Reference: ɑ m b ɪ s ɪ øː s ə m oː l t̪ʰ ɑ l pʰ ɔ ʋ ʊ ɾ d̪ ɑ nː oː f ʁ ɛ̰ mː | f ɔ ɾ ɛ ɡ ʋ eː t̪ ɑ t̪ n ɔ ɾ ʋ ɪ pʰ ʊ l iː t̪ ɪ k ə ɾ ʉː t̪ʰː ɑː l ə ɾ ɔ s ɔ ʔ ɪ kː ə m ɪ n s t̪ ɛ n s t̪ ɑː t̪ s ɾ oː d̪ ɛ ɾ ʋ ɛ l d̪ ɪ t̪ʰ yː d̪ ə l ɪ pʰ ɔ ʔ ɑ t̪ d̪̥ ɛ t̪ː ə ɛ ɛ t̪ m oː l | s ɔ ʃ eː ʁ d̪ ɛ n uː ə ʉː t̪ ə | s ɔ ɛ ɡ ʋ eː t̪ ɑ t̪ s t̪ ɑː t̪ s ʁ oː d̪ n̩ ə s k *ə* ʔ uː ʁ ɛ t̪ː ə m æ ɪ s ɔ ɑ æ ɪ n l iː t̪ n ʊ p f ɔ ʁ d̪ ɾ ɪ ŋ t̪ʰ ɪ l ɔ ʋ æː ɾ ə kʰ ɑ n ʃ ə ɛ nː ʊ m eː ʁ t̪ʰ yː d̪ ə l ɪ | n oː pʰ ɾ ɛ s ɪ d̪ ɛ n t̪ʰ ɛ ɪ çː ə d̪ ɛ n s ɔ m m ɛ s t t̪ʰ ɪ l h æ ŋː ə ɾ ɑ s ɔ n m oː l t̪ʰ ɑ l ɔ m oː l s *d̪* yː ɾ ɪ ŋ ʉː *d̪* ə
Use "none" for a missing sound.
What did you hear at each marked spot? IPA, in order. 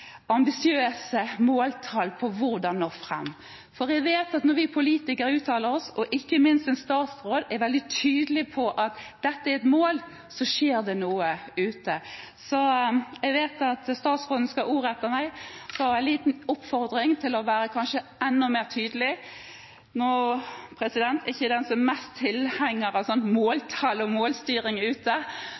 ɑ, t̪, t̪

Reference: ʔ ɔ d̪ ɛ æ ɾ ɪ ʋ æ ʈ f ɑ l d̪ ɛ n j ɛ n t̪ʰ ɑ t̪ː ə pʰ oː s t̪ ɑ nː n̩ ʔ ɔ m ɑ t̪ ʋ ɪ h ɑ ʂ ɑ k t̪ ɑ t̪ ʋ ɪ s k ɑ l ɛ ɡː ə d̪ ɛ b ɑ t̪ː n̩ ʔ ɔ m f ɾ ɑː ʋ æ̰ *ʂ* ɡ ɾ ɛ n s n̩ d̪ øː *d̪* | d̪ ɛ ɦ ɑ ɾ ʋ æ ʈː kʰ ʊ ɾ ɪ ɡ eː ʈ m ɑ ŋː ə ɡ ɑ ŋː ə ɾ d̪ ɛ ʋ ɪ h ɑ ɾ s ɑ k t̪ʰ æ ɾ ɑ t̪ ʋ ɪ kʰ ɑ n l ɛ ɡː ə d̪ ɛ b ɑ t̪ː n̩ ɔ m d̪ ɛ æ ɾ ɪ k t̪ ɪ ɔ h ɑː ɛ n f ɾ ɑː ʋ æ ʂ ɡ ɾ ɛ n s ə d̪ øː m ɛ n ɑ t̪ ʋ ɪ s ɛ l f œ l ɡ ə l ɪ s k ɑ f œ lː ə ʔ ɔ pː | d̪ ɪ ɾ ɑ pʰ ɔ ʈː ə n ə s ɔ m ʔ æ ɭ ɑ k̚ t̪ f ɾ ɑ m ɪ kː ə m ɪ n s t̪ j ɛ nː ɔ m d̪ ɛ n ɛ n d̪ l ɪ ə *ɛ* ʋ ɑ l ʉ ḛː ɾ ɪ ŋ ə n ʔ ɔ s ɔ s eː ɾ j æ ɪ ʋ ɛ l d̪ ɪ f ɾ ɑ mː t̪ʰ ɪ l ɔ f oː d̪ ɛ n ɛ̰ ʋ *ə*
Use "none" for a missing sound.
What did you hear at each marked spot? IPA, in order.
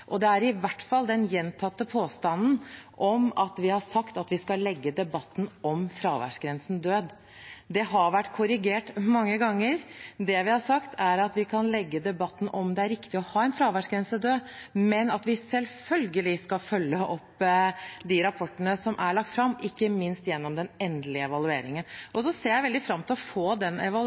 ʂ, d̪, ɛ, ɑ

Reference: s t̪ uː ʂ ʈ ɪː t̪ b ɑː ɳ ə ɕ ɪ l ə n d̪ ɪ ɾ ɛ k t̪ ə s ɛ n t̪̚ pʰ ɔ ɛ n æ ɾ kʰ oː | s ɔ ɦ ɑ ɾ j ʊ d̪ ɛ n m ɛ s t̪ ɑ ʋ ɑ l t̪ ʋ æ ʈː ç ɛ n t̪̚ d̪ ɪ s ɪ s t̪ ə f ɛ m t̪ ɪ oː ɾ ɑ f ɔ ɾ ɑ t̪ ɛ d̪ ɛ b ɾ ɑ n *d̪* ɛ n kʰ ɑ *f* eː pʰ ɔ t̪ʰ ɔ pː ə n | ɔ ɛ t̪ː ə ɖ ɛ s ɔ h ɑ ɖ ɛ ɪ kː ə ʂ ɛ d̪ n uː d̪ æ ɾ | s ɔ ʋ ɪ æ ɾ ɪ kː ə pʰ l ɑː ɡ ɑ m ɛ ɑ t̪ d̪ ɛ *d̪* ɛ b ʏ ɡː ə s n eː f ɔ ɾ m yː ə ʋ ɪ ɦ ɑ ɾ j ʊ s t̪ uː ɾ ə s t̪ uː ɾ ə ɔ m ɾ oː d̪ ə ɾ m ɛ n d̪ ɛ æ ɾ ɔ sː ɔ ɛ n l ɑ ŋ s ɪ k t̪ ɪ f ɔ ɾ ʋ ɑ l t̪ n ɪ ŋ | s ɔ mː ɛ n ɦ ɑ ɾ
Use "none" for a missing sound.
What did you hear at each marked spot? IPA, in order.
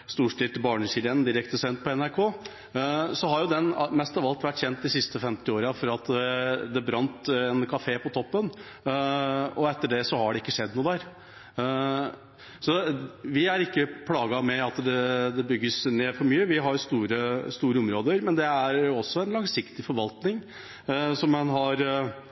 t̪, f, d̪

